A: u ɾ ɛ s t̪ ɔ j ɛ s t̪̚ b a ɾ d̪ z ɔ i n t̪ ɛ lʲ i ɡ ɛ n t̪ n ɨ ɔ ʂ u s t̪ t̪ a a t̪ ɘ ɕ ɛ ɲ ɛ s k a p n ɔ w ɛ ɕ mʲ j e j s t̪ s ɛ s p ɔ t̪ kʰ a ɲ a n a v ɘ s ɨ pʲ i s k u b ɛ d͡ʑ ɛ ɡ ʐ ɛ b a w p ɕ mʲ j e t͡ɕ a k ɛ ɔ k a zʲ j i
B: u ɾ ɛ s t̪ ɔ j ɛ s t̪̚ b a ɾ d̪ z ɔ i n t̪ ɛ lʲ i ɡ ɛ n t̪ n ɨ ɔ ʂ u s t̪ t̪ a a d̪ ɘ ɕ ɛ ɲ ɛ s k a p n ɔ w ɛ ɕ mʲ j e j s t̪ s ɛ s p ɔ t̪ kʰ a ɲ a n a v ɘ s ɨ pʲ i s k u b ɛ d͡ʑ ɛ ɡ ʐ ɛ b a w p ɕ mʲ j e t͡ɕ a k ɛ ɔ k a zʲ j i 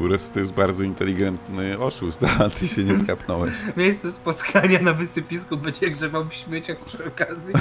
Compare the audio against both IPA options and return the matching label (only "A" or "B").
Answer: A